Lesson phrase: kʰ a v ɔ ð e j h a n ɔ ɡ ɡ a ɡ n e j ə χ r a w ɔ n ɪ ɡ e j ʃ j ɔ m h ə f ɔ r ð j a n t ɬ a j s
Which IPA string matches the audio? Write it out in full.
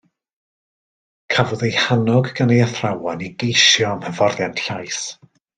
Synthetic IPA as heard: kʰ a v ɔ ð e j h a n ɔ ɡ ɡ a n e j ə θ r a w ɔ n i ɡ e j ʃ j ɔ m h ə v ɔ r ð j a n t ɬ a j s